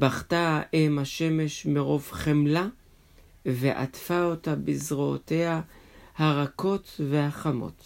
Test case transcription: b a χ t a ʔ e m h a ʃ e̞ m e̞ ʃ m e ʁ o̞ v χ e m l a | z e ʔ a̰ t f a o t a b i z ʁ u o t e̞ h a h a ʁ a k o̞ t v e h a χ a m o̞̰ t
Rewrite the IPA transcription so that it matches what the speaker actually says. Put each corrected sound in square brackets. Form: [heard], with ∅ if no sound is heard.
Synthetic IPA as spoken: b a χ t a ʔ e m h a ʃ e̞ m e̞ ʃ m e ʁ o̞ v χ e m l a | [v] e ʔ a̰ t f a o t a b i z ʁ [o] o t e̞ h a h a ʁ a k o̞ t v e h a χ a m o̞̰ t